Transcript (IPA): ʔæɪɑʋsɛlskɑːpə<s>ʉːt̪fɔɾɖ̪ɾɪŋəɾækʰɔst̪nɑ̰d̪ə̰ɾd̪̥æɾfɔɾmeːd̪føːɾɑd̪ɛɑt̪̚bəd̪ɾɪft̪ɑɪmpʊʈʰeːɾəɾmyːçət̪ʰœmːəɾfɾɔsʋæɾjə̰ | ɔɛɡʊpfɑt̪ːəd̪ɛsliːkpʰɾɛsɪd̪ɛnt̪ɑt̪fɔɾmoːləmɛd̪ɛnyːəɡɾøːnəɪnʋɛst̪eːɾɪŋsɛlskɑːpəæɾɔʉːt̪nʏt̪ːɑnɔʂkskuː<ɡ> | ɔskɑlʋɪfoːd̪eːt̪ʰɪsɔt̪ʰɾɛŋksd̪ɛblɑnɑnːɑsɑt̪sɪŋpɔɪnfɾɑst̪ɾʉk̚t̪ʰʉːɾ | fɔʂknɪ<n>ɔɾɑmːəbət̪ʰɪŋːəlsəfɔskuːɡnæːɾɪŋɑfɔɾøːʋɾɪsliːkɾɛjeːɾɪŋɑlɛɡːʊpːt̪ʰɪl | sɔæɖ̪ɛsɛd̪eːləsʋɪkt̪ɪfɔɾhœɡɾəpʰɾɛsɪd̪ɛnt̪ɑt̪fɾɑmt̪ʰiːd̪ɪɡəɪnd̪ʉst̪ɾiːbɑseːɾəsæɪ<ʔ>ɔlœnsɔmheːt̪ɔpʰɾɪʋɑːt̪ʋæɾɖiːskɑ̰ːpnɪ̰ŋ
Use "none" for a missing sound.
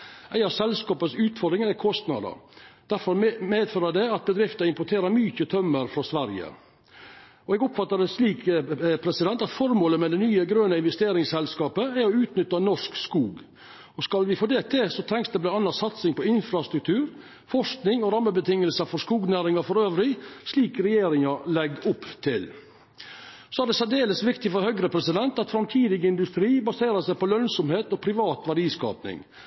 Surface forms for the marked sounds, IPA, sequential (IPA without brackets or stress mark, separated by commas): s, ɡ, ŋ, p